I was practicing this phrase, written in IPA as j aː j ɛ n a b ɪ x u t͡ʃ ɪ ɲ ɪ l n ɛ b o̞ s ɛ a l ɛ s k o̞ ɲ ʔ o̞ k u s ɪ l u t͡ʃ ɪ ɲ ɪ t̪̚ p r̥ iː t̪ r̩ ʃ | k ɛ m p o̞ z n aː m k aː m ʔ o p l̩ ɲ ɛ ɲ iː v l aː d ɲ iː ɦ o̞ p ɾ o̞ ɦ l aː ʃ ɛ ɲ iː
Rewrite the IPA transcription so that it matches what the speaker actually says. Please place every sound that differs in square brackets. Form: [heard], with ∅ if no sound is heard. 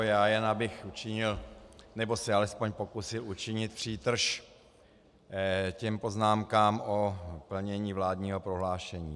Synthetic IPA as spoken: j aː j ɛ n a b ɪ x u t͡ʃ ɪ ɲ ɪ l n ɛ b o̞ s ɛ a l ɛ s [p] o̞ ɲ [p] o̞ k u s ɪ l u t͡ʃ ɪ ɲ ɪ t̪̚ p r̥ iː t̪ r̩ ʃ | [c] ɛ m p o̞ z n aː m k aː m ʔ o p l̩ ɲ ɛ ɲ iː v l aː d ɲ iː ɦ o̞ p ɾ o̞ ɦ l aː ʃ ɛ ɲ iː